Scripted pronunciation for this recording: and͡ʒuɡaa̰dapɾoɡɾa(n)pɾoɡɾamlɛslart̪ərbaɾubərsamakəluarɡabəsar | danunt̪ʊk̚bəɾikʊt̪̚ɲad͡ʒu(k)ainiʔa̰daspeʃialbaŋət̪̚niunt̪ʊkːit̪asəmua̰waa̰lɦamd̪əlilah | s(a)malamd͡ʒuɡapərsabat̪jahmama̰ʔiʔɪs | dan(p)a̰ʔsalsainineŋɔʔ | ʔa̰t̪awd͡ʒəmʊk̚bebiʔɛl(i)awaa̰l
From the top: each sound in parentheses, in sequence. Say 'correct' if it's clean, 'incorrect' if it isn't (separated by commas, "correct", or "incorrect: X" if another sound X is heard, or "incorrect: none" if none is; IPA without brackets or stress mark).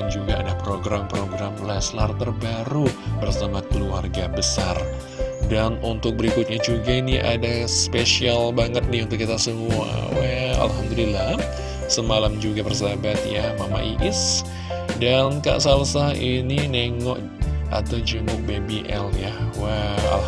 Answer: incorrect: m, incorrect: ɡ, incorrect: ə, incorrect: k, incorrect: j